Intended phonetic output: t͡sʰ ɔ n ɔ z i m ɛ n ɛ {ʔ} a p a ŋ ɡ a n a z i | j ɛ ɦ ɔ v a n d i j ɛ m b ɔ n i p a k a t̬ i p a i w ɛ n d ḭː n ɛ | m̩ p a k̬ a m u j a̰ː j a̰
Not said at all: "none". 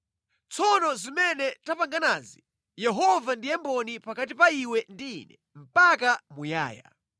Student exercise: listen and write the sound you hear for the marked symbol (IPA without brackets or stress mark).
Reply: t